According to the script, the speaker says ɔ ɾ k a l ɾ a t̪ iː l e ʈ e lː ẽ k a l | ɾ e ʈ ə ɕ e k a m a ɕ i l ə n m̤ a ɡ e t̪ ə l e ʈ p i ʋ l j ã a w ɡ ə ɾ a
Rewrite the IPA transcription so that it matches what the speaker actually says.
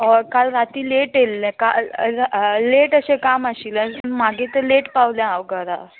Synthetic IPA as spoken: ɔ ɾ k a l ɾ a t̪ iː l e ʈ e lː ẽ k a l | l e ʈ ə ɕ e k a m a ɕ i l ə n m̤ a ɡ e t̪ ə l e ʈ p a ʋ l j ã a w ɡ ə ɾ a